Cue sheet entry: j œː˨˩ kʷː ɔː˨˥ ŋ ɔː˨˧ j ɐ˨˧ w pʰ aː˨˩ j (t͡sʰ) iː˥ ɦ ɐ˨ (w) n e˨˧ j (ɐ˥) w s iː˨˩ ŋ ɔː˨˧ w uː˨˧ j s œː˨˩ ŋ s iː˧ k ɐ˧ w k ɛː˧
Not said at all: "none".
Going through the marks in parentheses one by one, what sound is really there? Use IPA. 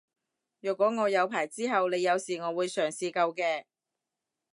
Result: t͡s, w, ɐ˨˧

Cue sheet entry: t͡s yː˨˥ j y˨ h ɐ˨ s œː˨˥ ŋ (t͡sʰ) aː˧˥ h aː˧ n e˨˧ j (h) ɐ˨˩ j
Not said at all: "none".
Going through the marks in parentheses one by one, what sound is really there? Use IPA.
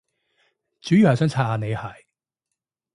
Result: t͡sʰ, h

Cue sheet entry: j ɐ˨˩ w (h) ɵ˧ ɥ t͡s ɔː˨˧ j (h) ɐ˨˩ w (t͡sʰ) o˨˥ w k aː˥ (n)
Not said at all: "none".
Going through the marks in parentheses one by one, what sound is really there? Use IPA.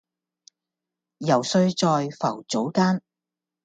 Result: s, f, t͡s, n

